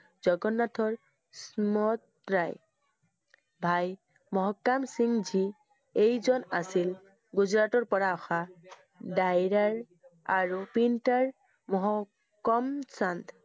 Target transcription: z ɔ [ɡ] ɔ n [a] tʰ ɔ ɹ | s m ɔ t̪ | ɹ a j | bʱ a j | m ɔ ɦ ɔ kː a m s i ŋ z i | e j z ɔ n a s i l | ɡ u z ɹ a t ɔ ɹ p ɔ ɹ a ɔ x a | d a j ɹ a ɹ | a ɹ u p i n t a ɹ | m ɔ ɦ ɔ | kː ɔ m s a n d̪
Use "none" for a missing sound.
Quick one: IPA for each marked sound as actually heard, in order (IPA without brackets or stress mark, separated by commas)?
ɡ, a